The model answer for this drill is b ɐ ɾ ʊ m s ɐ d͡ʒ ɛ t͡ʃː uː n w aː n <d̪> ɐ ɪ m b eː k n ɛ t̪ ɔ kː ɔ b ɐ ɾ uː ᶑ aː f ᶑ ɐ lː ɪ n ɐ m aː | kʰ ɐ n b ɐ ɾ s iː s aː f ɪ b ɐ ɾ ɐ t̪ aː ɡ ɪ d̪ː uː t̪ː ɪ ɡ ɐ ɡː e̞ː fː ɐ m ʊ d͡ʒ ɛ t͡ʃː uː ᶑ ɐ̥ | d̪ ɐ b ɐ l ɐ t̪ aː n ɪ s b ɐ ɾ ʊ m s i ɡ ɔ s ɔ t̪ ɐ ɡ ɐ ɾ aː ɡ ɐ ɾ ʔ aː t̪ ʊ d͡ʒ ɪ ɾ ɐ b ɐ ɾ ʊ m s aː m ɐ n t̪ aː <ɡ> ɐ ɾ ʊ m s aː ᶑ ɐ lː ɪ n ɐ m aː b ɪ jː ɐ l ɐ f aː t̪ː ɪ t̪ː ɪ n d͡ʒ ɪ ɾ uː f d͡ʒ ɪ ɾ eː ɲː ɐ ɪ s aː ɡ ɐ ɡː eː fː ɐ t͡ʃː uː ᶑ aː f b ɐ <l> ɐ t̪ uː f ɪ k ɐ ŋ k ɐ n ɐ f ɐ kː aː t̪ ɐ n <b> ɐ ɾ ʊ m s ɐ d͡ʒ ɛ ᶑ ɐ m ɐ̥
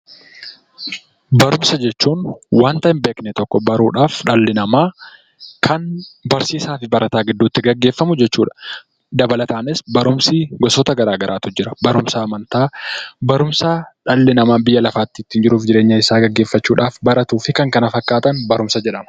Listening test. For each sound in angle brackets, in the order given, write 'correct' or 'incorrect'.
incorrect: t̪, incorrect: b, incorrect: ɾ, correct

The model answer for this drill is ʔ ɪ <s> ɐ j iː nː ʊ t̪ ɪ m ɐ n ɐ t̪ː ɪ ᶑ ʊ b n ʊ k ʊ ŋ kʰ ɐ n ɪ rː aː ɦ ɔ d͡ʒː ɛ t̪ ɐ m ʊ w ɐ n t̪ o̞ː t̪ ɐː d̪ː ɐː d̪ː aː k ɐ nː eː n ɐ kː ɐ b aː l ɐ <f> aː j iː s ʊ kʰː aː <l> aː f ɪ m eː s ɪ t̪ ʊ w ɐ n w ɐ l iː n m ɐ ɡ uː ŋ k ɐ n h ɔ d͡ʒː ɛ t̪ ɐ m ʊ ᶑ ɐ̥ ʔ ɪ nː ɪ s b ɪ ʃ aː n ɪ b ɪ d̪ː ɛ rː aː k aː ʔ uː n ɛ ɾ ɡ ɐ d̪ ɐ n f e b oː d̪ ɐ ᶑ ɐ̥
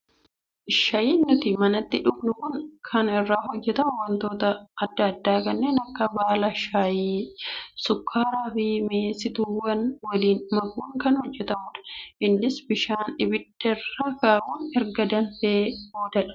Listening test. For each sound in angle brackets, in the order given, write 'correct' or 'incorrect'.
incorrect: ʃ, incorrect: ʃ, incorrect: ɾ

